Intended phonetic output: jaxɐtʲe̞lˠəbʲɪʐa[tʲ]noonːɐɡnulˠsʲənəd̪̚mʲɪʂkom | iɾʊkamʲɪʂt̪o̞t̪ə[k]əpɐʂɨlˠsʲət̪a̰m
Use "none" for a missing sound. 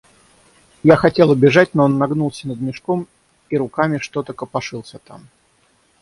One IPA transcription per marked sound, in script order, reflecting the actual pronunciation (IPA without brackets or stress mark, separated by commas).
tʲ, k